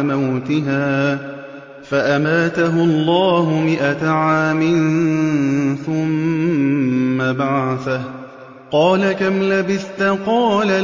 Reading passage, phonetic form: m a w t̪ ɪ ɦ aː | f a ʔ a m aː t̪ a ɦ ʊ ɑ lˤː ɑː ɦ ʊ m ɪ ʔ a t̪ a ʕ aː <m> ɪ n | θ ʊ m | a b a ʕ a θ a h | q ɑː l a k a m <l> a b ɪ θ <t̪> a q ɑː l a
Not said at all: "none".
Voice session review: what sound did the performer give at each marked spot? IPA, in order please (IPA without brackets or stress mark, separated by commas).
m, l, t̪